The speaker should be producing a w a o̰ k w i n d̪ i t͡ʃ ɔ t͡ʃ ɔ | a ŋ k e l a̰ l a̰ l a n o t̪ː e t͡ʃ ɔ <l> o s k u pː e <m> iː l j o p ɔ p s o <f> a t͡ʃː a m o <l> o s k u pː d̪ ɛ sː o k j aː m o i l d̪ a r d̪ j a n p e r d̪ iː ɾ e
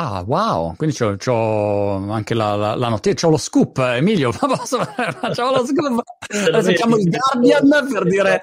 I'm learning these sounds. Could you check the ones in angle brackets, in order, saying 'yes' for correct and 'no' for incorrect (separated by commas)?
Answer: yes, yes, yes, yes